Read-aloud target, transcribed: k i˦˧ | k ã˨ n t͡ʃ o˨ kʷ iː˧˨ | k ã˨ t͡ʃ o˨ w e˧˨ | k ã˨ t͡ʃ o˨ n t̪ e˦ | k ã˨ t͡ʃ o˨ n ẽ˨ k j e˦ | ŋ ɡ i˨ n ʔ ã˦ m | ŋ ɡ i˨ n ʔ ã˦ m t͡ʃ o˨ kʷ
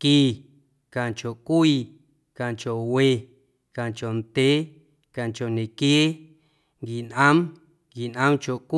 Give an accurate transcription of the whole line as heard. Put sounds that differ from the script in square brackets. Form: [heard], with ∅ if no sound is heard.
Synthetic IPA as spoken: k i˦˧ | k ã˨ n t͡ʃ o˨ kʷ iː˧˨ | k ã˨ t͡ʃ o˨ w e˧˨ | k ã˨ t͡ʃ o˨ n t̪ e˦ | k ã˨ t͡ʃ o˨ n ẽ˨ k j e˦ | ŋ ɡ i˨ n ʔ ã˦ m | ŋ ɡ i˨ n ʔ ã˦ m t͡ʃ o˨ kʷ